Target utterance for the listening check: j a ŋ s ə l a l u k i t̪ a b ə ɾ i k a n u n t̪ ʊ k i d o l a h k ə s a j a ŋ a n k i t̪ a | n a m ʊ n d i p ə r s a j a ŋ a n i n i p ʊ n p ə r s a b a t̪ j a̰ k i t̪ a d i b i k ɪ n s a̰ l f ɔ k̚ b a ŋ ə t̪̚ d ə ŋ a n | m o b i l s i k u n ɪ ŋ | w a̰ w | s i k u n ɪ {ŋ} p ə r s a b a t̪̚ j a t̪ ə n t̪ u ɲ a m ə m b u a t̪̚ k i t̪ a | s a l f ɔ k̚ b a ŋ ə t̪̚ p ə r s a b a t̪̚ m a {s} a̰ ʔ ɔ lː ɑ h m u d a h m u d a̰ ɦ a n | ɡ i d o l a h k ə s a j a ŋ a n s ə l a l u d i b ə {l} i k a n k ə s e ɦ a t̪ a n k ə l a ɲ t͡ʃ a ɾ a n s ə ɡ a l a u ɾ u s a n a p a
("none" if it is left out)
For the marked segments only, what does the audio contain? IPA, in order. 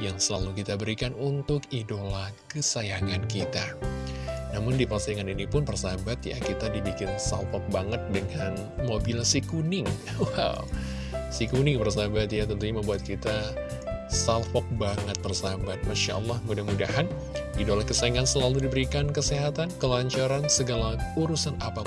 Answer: ŋ, ʃ, ɾ

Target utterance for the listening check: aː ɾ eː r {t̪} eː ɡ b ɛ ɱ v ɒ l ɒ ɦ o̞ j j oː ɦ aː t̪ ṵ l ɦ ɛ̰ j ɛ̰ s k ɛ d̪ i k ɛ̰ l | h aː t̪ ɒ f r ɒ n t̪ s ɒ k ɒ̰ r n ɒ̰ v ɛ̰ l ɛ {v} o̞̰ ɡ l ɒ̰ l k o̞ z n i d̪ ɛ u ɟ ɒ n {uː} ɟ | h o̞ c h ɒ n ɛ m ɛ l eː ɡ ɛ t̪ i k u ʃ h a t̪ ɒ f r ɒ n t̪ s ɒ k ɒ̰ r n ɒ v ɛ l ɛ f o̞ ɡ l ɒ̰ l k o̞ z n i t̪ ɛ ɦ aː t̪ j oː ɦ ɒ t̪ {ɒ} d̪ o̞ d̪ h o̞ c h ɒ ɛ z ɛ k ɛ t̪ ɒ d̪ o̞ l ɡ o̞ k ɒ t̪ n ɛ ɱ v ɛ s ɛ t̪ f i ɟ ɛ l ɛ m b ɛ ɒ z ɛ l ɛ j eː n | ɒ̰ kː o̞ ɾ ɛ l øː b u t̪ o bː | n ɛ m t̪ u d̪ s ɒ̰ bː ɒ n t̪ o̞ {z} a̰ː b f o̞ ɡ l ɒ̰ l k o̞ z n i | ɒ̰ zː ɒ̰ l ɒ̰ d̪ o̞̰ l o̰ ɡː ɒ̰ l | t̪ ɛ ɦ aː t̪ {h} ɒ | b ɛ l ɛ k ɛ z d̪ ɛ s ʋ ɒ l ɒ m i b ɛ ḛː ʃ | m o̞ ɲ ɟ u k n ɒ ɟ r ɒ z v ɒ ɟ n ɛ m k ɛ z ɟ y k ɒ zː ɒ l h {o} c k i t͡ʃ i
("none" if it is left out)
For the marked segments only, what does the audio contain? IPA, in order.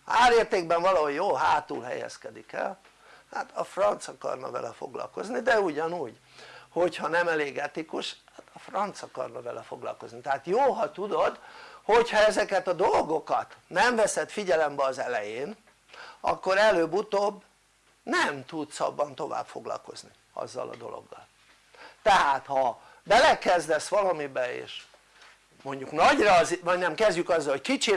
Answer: t̪, f, uː, u, v, h, o

